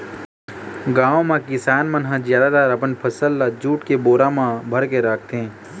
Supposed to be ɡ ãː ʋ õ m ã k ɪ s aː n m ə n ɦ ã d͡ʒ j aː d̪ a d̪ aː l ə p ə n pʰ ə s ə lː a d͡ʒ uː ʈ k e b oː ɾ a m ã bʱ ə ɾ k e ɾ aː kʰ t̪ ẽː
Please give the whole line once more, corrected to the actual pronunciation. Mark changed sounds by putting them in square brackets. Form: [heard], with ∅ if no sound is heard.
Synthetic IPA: ɡ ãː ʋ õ m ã k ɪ s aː n m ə n ɦ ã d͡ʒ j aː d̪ a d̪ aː [ɾ] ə p ə n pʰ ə s ə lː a d͡ʒ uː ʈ k e b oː ɾ a m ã bʱ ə ɾ k e ɾ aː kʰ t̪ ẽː